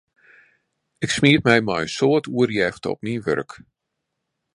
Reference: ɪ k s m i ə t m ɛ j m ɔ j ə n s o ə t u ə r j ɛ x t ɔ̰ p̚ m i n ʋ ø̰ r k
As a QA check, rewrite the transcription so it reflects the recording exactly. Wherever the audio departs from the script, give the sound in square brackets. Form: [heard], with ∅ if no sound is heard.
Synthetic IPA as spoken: ɪ k s m i ə t m ɛ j m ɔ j ə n s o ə t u ə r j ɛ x t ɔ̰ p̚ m i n ʋ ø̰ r k